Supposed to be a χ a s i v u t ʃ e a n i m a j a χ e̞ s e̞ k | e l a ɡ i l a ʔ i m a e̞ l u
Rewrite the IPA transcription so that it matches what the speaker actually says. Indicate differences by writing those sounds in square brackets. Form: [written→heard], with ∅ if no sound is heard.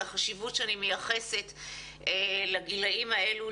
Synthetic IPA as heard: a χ a [s→ʃ] i v u t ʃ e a n i m [a→e] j a χ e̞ s e̞ [k→t] | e l a ɡ i l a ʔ i m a e̞ l u